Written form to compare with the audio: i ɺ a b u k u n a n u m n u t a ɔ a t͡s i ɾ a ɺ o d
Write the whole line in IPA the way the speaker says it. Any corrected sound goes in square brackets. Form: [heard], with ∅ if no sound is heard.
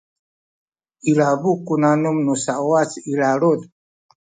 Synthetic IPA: i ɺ a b u k u n a n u m n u [s] a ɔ a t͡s i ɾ a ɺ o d